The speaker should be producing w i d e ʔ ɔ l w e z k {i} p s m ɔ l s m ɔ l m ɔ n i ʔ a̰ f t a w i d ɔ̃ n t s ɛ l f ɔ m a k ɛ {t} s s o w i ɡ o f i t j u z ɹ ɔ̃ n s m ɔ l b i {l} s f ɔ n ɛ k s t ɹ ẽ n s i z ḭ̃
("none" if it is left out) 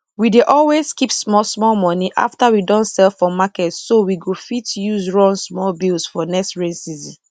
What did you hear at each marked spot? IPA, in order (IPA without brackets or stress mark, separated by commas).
i, t, l